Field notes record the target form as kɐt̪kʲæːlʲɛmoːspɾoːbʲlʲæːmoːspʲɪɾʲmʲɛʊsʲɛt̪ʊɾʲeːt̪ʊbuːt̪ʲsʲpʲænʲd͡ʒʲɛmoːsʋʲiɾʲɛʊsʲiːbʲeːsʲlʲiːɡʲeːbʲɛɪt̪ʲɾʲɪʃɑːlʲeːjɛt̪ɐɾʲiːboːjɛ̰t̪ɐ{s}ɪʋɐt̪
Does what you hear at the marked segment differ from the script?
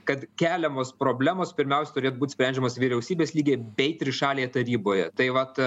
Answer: yes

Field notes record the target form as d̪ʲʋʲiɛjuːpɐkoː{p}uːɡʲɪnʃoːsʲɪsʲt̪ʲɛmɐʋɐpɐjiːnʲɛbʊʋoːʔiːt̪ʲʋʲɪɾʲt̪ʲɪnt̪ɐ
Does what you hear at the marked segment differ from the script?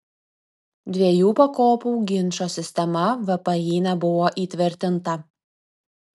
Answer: no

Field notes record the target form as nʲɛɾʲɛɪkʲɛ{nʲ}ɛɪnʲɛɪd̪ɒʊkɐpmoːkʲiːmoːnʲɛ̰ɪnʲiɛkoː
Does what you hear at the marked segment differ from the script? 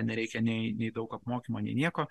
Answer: no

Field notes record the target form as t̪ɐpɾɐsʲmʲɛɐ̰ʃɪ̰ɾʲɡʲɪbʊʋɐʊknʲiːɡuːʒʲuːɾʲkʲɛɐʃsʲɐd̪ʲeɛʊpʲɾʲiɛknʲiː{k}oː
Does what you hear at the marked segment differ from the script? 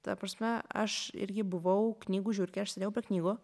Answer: yes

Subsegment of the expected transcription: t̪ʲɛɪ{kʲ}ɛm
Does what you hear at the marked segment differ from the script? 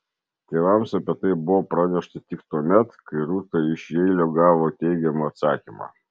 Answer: yes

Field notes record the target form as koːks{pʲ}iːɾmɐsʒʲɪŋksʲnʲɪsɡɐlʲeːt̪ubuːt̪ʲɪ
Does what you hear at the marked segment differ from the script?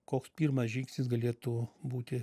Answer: no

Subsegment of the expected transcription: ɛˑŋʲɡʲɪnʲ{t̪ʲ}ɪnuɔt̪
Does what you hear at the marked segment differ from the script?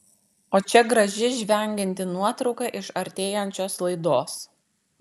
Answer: no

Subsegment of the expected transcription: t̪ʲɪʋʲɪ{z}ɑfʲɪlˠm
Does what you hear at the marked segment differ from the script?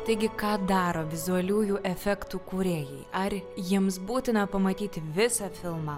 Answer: yes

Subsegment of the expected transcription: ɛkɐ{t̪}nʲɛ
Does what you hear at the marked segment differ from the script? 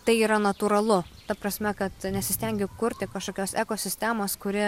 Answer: no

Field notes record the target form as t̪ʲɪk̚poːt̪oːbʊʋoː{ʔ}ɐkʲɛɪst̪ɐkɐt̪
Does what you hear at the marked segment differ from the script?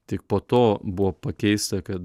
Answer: yes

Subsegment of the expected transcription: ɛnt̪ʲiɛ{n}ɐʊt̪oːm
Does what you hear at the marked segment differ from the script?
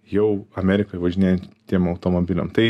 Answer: yes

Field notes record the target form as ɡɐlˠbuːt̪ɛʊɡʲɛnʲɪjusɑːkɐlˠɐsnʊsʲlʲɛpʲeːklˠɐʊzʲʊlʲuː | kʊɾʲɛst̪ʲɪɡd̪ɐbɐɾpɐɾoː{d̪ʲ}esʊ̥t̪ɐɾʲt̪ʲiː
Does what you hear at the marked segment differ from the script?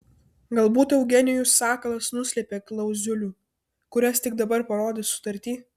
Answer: no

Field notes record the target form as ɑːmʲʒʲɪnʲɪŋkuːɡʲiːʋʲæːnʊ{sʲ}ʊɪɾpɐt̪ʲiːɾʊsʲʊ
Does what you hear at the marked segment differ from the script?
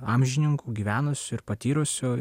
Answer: no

